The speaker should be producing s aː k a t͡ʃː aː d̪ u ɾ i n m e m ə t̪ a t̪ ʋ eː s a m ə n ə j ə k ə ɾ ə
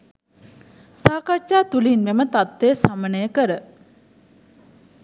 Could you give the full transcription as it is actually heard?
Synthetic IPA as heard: s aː k a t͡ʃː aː t̪ u l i n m e m ə t̪ a t̪ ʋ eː s a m ə n ə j ə k ə ɾ ə